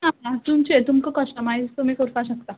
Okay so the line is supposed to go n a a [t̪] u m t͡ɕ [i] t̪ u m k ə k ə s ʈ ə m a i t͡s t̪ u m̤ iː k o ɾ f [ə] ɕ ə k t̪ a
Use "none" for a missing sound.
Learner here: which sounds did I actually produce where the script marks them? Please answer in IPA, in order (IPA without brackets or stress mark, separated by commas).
t̪, e, a